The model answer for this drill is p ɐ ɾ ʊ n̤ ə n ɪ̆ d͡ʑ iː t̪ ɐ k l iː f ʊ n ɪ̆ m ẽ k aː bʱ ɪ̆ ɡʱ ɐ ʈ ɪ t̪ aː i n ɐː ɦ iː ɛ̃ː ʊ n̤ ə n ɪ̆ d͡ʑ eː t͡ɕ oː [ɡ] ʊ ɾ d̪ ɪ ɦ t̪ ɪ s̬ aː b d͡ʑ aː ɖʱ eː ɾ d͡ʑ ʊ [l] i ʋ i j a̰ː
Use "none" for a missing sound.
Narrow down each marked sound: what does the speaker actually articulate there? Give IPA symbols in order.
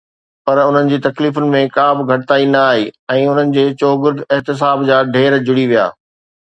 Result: ɡ, ɽ

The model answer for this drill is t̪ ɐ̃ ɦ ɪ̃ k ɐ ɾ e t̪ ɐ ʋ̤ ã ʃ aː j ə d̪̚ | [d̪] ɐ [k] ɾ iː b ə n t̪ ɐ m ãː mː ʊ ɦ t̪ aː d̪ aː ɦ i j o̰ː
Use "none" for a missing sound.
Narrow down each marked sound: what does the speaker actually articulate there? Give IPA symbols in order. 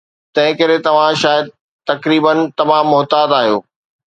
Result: t̪, k

